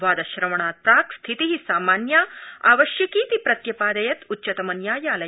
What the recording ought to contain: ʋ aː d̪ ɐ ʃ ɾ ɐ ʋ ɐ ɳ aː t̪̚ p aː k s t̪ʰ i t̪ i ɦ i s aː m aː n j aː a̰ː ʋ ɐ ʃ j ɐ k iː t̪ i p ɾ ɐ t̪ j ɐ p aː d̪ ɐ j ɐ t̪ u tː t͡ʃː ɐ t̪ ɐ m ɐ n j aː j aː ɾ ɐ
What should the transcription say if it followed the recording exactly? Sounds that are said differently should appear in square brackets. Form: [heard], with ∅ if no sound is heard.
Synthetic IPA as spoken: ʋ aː d̪ ɐ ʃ ɾ ɐ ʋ ɐ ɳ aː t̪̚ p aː k s t̪ʰ i t̪ i ɦ i s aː m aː n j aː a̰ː ʋ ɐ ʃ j ɐ k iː t̪ i p ɾ ɐ t̪ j ɐ p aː d̪ ɐ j ɐ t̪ u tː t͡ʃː ɐ t̪ ɐ m ɐ n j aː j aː [l] ɐ